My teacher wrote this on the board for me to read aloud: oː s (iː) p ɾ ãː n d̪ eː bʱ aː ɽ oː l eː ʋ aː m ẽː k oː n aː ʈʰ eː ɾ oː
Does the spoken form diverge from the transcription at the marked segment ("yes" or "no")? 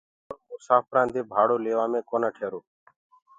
yes